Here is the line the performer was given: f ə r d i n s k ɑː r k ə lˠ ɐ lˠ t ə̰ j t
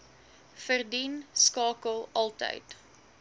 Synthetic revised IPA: f ə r d i n s k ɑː k ə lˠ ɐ lˠ t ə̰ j t